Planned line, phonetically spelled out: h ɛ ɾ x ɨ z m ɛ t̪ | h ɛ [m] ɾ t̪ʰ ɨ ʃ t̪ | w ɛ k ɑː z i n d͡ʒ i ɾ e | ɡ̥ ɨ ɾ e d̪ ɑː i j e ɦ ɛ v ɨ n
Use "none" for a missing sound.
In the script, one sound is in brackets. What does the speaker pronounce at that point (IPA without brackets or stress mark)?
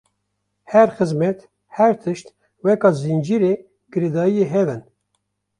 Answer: none